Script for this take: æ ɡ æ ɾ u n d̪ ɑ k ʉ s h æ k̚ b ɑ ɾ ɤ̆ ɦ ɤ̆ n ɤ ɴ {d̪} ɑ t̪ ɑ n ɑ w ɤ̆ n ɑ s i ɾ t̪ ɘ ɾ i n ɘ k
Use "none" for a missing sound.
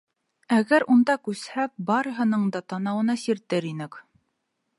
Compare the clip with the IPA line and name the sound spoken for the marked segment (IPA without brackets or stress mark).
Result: d̪